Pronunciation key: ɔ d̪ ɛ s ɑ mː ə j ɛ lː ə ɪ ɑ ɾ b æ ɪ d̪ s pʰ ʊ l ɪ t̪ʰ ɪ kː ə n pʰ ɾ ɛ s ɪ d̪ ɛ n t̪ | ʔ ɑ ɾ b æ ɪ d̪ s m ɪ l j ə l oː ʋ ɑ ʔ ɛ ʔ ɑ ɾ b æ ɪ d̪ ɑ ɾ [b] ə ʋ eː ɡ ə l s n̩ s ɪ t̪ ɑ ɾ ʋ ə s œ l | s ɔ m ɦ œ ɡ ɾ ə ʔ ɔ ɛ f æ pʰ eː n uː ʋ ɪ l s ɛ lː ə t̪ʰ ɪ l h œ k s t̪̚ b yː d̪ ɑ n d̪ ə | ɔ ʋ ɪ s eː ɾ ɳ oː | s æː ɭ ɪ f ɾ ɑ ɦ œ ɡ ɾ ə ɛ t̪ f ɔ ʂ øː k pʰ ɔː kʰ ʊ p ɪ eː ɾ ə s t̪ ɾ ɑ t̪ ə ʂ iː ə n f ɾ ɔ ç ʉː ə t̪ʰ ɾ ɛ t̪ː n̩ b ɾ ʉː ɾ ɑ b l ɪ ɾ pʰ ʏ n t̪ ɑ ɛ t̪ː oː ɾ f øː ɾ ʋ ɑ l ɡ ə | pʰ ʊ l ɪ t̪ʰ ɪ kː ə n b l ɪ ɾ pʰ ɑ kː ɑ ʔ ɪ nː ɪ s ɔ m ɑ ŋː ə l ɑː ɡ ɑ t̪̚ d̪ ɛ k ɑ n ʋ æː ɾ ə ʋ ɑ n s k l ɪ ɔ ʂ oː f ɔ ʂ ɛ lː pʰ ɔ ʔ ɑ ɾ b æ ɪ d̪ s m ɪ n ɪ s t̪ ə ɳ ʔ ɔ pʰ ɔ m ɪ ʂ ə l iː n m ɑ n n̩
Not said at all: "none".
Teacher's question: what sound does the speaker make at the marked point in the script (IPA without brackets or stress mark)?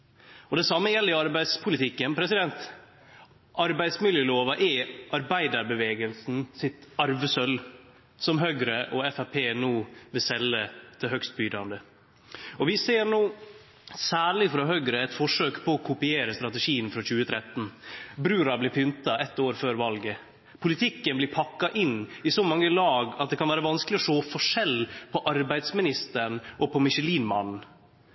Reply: b